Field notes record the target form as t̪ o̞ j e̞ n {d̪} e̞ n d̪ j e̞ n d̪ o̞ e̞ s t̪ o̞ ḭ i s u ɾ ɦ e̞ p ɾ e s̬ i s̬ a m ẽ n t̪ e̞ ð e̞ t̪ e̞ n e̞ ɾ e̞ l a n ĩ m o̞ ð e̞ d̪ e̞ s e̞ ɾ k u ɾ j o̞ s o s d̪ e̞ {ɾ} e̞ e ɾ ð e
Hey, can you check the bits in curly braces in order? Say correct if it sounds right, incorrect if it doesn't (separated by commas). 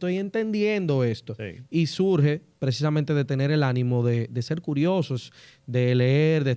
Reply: incorrect, incorrect